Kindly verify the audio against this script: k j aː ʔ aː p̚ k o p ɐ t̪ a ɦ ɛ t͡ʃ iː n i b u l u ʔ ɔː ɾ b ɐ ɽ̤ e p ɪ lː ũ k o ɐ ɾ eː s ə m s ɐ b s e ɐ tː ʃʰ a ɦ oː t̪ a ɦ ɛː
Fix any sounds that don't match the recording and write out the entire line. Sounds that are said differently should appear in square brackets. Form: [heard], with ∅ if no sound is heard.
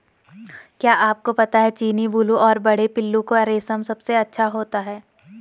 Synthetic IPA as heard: k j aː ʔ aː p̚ k o p ɐ t̪ a ɦ ɛ t͡ʃ iː n i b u l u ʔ ɔː ɾ b ɐ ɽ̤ e p ɪ lː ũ k o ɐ ɾ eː s ə m s ɐ b s e ɐ tː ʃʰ a ɦ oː t̪ a ɦ ɛː

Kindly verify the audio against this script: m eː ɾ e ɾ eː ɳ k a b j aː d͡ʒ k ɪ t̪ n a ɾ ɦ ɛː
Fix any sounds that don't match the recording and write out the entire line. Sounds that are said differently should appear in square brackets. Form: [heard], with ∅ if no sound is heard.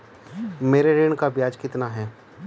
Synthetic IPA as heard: m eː ɾ e ɾ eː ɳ k a b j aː d͡ʒ k ɪ t̪ n a [∅] ɦ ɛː

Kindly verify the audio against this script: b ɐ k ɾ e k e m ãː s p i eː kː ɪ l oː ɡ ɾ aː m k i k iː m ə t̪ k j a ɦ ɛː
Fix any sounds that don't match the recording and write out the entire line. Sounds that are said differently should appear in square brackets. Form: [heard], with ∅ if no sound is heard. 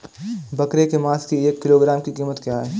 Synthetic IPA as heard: b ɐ k ɾ e k e m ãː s [k] i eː kː ɪ l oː ɡ ɾ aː m k i k iː m ə t̪ k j a ɦ ɛː

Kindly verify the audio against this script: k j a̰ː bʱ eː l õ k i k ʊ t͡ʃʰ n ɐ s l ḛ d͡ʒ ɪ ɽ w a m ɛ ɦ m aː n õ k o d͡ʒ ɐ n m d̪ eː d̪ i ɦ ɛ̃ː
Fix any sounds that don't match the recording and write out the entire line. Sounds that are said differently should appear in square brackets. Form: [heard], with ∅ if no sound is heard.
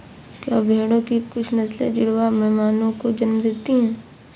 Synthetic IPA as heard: k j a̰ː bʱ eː [ɽ] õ k i k ʊ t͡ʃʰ n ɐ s l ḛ d͡ʒ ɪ ɽ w a m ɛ ɦ m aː n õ k o d͡ʒ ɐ n m d̪ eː [t̪] i ɦ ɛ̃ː

